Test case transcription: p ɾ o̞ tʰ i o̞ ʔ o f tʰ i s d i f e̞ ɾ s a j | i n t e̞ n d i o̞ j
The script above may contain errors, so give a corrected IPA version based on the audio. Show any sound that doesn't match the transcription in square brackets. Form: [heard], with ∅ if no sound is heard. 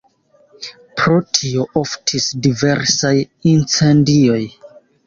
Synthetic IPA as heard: p ɾ o̞ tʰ i o̞ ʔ o f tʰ i s d i [v] e̞ ɾ s a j | i n [t͡s] e̞ n d i o̞ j